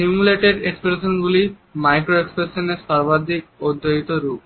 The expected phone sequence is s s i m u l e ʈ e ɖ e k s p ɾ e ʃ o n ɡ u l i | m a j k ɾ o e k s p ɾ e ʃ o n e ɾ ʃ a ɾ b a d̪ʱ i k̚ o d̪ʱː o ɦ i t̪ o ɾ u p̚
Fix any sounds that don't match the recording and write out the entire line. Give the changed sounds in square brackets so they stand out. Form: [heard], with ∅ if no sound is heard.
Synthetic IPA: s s i m u l e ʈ e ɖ e k s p ɾ e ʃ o n ɡ u l i | m a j k ɾ o e k s p ɾ e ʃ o n e ɾ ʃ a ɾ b a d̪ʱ i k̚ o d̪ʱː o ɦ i t̪ o ɾ u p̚